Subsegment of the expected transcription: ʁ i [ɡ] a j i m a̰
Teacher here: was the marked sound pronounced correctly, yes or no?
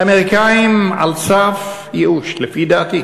no